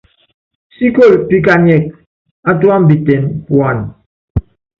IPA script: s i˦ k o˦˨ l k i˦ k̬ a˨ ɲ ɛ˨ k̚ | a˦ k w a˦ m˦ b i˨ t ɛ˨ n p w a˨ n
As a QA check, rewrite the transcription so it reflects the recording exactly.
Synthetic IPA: s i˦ k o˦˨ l p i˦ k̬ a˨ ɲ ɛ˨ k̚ | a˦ t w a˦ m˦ b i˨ t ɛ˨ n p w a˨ n